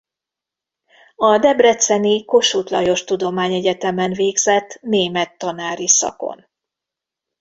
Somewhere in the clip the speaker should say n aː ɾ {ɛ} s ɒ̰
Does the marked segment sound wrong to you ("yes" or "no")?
yes